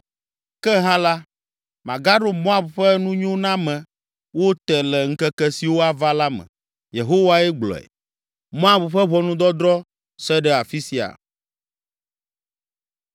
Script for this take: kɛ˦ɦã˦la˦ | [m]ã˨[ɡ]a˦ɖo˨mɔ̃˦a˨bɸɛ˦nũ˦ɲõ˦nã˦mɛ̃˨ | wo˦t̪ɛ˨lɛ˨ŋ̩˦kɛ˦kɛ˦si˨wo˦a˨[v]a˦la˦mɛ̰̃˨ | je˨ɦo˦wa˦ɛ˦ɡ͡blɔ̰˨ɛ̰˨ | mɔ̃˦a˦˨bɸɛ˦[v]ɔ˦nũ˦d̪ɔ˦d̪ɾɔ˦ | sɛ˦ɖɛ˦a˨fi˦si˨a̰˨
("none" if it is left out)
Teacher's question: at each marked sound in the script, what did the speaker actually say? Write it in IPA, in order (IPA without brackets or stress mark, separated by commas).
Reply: m, ɡ, v, β